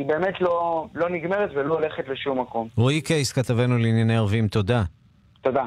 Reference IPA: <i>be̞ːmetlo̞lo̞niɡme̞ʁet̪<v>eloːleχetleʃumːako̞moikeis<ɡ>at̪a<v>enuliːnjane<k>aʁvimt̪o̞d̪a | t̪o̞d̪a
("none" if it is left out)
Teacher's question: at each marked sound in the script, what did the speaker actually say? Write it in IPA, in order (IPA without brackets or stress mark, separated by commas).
i, v, k, v, none